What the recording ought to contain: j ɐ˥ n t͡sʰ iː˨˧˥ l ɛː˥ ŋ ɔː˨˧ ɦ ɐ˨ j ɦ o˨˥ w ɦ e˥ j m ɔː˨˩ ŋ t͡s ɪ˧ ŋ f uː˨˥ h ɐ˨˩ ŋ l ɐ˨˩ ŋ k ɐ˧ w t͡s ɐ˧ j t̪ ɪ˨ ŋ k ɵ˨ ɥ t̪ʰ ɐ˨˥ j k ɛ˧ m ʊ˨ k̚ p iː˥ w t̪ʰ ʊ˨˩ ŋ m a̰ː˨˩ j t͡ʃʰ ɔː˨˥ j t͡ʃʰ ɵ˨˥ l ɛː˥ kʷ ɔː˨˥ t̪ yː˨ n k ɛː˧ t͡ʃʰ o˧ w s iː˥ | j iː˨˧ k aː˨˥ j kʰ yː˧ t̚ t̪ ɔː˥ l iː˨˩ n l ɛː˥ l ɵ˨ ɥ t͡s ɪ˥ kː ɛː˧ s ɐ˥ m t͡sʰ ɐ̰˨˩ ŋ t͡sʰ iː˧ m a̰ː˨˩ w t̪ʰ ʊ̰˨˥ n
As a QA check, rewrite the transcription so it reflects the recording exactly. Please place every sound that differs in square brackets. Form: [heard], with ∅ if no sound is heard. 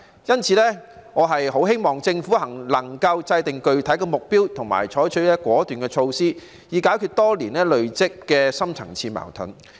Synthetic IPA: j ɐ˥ n t͡sʰ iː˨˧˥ l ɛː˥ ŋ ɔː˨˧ ɦ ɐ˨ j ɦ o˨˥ w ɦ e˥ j m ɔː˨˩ ŋ t͡s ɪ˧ ŋ f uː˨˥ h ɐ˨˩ ŋ l ɐ˨˩ ŋ k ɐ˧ w t͡s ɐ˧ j t̪ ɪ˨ ŋ k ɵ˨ ɥ t̪ʰ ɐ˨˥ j k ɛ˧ m ʊ˨ k̚ p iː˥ w t̪ʰ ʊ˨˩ ŋ m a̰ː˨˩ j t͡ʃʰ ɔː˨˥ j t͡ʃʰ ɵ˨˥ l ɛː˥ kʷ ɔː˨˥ t̪ yː˨ n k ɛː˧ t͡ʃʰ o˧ w s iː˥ | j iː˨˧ k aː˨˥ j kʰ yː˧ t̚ t̪ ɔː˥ l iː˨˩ n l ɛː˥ l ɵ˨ ɥ t͡s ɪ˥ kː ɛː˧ s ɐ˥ m t͡sʰ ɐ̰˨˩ ŋ t͡sʰ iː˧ m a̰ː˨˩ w t̪ʰ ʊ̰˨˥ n